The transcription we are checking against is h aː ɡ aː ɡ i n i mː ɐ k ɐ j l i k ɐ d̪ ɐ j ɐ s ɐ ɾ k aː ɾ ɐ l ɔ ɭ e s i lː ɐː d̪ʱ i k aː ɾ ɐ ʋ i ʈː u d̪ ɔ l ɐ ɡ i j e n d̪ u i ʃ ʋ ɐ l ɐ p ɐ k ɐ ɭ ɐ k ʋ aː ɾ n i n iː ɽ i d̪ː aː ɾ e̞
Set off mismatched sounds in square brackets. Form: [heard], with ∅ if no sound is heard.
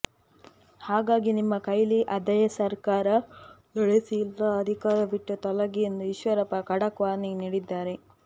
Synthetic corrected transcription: h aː ɡ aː ɡ i n i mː ɐ k ɐ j l i [ʔ] ɐ d̪ ɐ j ɐ s ɐ ɾ k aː ɾ ɐ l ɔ ɭ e s i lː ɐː d̪ʱ i k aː ɾ ɐ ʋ i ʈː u [t̪] ɔ l ɐ ɡ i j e n d̪ u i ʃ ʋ ɐ [ɾ] ɐ p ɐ k ɐ [ɽ] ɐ k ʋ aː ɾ n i n iː ɽ i d̪ː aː ɾ e̞